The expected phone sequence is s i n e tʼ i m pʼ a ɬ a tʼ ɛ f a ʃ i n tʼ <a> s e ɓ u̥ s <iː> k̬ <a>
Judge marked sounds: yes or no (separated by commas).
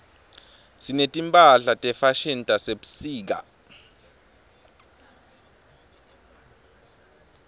yes, yes, yes